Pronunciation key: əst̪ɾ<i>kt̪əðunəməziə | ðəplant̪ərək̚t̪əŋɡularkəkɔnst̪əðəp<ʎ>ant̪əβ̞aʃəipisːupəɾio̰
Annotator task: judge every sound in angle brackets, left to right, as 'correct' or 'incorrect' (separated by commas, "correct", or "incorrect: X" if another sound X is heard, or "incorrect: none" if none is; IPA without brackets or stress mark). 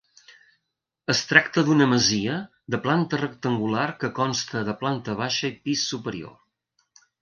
incorrect: a, incorrect: l